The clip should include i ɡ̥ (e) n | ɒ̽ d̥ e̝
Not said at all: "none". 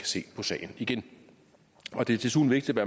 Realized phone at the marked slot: e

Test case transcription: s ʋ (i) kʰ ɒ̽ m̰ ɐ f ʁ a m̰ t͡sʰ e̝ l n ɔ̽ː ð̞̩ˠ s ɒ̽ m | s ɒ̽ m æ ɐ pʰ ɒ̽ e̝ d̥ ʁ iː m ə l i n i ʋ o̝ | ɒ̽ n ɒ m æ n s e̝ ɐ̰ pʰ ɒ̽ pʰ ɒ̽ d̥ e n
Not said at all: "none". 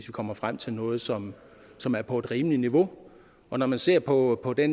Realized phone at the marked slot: i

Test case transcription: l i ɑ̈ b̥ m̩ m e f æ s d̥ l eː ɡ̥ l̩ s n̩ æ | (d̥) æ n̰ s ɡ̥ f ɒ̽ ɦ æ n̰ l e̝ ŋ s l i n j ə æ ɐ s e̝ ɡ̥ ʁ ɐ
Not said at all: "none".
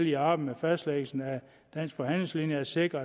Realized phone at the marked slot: d̥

